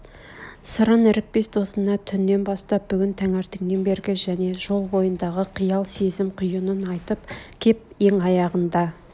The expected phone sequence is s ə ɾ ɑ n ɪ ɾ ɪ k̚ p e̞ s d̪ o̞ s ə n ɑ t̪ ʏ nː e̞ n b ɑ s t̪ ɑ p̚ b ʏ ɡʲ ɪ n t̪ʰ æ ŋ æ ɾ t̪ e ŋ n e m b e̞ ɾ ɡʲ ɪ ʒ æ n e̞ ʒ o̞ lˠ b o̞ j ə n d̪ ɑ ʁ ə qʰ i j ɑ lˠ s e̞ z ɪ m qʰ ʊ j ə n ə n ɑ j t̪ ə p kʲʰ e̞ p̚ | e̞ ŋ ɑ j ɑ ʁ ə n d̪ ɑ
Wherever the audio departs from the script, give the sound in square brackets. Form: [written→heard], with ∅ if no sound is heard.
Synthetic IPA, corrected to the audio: s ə ɾ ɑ n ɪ ɾ ɪ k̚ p e̞ s d̪ o̞ s ə n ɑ [t̪→t̪ʰ] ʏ nː e̞ n b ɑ s t̪ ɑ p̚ b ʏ ɡʲ ɪ n t̪ʰ æ ŋ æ ɾ t̪ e ŋ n e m b e̞ ɾ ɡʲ ɪ ʒ æ n e̞ ʒ o̞ lˠ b o̞ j ə n d̪ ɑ ʁ ə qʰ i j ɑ lˠ s e̞ z ɪ m qʰ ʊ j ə n ə n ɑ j t̪ ə p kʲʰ e̞ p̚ | e̞ ŋ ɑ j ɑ ʁ ə n d̪ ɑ